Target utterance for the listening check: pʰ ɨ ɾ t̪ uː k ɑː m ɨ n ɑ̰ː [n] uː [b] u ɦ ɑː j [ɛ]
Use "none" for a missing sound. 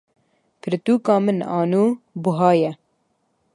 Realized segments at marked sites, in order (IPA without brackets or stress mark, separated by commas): n, b, ɛ